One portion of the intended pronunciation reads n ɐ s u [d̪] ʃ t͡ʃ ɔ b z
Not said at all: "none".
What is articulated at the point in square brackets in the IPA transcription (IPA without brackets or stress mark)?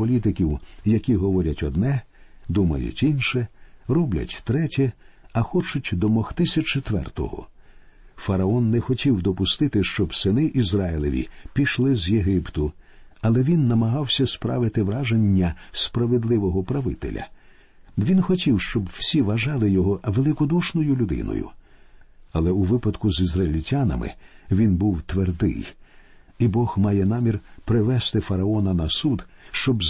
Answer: d̪